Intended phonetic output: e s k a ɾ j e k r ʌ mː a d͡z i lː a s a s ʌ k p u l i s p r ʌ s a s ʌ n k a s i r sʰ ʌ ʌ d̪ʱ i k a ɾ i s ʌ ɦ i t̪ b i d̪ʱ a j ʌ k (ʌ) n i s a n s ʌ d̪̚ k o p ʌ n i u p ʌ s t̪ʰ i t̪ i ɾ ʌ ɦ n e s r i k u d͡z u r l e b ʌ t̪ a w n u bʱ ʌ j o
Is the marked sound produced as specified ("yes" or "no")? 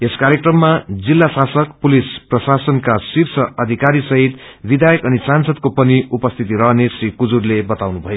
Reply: yes